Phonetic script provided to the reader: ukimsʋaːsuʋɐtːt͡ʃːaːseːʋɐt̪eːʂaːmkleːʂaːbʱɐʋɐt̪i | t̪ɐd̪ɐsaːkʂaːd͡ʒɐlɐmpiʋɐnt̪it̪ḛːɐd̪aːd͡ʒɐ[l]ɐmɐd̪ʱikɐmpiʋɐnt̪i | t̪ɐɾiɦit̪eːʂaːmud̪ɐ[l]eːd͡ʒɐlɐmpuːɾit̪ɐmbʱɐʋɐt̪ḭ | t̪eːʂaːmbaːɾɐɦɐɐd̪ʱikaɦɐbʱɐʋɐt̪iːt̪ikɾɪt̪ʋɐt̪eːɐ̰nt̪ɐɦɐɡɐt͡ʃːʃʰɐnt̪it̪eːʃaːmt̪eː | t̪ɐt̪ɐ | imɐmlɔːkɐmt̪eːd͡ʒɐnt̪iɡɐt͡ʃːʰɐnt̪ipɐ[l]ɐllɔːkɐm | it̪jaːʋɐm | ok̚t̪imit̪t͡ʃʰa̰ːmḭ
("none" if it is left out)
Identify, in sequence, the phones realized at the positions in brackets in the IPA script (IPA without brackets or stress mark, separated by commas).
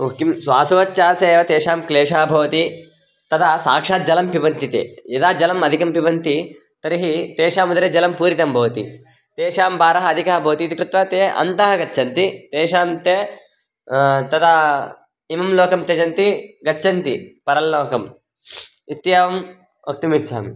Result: l, ɾ, ɾ